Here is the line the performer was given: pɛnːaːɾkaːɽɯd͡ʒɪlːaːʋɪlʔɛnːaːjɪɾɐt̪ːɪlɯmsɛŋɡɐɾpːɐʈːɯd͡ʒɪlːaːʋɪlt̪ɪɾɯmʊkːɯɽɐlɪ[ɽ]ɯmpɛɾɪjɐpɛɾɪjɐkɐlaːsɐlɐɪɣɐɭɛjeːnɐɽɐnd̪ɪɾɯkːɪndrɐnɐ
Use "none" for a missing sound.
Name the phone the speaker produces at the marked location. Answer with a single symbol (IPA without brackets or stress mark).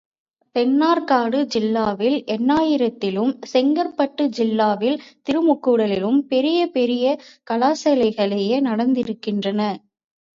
l